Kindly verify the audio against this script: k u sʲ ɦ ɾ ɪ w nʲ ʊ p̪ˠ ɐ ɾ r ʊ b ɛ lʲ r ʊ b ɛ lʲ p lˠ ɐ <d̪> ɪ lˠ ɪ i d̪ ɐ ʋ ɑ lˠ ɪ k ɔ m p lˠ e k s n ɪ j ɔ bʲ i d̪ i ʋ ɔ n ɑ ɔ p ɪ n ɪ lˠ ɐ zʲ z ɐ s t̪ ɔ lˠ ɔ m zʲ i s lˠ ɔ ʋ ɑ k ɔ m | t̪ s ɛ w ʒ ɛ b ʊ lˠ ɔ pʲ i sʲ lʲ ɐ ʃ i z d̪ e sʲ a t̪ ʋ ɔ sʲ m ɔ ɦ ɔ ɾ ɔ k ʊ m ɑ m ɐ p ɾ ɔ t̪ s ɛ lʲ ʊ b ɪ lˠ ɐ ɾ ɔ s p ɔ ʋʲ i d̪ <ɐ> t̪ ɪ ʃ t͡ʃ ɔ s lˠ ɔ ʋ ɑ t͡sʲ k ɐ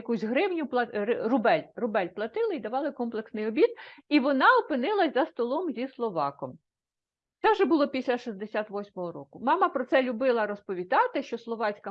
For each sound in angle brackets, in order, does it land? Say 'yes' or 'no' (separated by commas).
no, no